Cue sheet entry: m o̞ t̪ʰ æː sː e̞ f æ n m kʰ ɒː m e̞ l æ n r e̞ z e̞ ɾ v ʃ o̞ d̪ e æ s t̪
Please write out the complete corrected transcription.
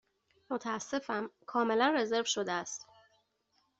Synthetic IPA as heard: m o̞ t̪ʰ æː sː e̞ f æ m kʰ ɒː m e̞ l æ n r e̞ z e̞ ɾ v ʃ o̞ d̪ e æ s t̪

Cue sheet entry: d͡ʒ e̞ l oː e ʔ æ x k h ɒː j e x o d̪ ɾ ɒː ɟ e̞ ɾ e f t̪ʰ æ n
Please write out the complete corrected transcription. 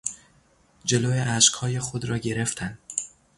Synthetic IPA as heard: d͡ʒ e̞ l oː e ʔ æ ʃ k h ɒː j e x o d̪ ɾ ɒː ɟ e̞ ɾ e f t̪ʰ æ n

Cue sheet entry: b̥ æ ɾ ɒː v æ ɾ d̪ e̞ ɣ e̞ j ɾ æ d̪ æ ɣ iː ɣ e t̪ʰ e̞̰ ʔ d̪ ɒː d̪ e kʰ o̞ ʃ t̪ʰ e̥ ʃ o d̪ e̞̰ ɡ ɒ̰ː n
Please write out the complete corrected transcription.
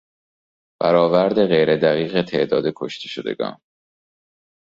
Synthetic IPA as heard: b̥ æ ɾ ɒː v æ ɾ d̪ e̞ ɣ e̞ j ɾ e d̪ æ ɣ iː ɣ e t̪ʰ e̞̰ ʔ d̪ ɒː d̪ e kʰ o̞ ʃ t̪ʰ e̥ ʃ o d̪ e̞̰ ɡ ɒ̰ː n

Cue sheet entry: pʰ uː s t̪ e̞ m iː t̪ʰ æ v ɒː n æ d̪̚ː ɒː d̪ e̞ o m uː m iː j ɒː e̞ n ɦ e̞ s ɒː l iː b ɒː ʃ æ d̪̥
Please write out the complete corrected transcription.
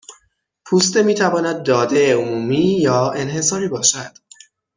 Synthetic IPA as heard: pʰ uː s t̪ e̞ m iː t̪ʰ æ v ɒː n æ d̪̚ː ɒː d̪ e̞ o m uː m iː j ɒː e̞ n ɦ e̞ s ɒː ɾ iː b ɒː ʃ æ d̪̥

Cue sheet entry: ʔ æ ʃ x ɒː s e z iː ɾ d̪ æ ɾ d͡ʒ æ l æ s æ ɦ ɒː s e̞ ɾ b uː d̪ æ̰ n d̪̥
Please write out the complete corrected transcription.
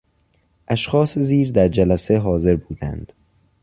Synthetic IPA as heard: ʔ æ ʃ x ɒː s e z iː ɾ d̪ æ ɾ d͡ʒ æ l æ s e ɦ ɒː z e̞ ɾ b uː d̪ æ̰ n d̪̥

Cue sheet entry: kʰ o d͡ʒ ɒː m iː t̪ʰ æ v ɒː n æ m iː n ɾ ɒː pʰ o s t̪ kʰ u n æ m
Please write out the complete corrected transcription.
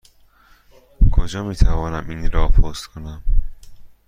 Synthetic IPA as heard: kʰ o d͡ʒ ɒː m iː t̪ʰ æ v ɒː n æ m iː n ɾ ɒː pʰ o s t̪ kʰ o n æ m

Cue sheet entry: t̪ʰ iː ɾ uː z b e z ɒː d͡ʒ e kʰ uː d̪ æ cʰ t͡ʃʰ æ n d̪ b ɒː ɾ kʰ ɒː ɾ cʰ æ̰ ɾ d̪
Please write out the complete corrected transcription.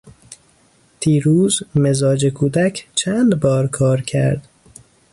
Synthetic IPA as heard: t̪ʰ iː ɾ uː z m e z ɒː d͡ʒ e kʰ uː d̪ æ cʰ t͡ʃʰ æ n d̪ b ɒː ɾ kʰ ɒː ɾ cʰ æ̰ ɾ d̪

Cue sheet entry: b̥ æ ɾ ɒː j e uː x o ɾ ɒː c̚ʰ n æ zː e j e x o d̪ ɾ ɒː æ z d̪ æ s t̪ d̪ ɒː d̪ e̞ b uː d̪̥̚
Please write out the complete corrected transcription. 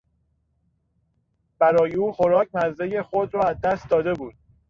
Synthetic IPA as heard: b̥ æ ɾ ɒː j e uː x o ɾ ɒː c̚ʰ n æ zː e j e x o d̪ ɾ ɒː æ z d̪ æ s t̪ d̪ ɒː d̪ e̞ b uː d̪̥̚

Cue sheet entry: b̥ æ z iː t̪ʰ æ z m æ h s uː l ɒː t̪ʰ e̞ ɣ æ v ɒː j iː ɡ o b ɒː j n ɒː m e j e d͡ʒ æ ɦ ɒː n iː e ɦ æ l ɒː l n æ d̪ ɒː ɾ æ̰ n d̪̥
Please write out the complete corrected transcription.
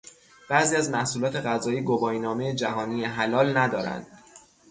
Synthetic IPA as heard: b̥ æ z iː æ z m æ h s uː l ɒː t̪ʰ e̞ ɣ æ z ɒː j iː ɡ o b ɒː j n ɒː m e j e d͡ʒ æ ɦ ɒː n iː e ɦ æ l ɒː l n æ d̪ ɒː ɾ æ̰ n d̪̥

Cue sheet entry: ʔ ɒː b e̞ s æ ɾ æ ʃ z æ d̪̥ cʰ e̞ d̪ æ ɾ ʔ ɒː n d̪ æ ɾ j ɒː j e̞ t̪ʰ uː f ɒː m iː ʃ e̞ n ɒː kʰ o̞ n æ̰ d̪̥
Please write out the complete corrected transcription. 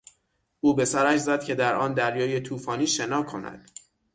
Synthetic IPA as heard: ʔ uː b e̞ s æ ɾ æ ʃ z æ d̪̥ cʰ e̞ d̪ æ ɾ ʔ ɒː n d̪ æ ɾ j ɒː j e̞ t̪ʰ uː f ɒː n iː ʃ e̞ n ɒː kʰ o̞ n æ̰ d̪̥

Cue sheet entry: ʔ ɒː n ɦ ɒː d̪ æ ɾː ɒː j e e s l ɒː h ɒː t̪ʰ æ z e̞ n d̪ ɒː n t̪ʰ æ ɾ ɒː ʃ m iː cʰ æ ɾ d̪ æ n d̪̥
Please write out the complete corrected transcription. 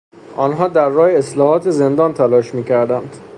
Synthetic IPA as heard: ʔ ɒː n ɦ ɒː d̪ æ ɾː ɒː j e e s l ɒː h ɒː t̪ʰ e z e̞ n d̪ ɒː n t̪ʰ æ l ɒː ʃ m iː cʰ æ ɾ d̪ æ n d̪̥

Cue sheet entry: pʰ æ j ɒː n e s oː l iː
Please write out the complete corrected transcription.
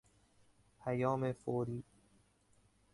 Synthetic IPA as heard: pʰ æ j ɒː m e f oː ɾ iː

